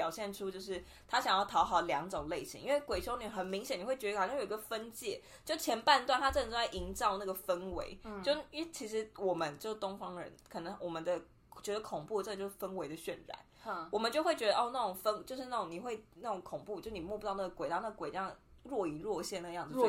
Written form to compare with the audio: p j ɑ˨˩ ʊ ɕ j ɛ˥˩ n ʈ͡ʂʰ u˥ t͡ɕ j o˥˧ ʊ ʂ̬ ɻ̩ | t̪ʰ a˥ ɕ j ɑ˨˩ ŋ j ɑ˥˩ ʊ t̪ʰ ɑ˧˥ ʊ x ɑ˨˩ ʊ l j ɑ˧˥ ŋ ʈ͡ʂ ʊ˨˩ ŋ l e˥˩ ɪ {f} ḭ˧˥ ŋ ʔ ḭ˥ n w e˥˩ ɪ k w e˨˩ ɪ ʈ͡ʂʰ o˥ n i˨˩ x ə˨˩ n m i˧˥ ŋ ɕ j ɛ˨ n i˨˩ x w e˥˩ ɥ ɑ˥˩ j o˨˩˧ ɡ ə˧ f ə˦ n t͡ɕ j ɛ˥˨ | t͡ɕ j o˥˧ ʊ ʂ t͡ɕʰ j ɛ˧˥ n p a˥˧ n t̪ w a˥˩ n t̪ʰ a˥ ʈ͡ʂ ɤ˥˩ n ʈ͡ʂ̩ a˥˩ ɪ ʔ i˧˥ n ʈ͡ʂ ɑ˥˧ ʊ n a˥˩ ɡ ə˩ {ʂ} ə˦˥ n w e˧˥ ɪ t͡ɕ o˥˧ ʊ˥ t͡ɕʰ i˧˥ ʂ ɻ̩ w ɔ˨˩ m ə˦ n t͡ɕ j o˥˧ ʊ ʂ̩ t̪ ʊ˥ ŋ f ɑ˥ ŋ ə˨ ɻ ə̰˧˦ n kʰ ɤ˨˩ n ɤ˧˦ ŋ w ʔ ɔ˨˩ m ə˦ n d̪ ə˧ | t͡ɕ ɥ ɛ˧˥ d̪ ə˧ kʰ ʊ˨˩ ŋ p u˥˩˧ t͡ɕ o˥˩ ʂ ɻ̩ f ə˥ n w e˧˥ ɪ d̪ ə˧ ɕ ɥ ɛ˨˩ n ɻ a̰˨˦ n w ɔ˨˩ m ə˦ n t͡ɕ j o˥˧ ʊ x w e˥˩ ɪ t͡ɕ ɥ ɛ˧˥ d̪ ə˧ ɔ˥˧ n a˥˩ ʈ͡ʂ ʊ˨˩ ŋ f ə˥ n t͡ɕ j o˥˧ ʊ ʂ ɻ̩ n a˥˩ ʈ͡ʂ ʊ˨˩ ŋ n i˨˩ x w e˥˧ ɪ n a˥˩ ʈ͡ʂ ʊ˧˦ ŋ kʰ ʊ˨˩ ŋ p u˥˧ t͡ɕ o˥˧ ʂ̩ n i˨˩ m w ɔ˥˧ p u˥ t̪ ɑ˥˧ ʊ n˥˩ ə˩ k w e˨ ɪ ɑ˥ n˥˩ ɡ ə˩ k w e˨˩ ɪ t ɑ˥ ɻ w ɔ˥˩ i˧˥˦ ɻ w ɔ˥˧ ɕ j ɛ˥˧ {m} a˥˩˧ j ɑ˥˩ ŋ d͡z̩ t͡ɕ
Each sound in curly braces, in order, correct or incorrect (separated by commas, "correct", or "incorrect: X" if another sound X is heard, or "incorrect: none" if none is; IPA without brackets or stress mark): incorrect: ɕ, incorrect: f, incorrect: n